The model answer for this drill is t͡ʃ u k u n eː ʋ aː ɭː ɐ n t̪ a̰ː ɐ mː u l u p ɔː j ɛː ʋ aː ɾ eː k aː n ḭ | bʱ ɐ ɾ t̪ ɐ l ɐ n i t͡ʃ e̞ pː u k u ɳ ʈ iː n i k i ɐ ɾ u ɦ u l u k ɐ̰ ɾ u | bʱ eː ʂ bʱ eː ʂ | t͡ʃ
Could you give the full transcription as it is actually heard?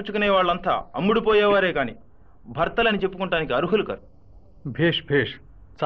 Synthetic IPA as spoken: t͡ʃ u k u n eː ʋ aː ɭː ɐ n t̪ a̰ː ɐ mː u ɽ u p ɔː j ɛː ʋ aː ɾ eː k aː n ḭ | bʱ ɐ ɾ t̪ ɐ l ɐ n i t͡ʃ e̞ pː u k u ɳ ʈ aː n i k i ɐ ɾ u ɦ u l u k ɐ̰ ɾ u | bʱ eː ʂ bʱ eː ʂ | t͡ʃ